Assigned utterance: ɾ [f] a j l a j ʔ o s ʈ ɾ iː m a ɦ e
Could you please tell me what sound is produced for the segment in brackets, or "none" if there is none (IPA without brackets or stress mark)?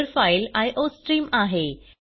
f